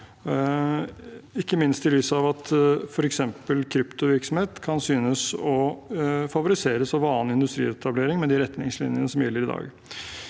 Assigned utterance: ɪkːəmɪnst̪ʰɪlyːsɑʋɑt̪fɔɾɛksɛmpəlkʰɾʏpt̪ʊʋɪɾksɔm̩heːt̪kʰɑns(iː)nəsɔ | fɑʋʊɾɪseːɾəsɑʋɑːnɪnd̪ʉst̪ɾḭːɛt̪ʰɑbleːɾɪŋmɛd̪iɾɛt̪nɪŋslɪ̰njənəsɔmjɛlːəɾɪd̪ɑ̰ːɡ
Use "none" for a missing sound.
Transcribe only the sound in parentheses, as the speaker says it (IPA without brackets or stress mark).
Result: yː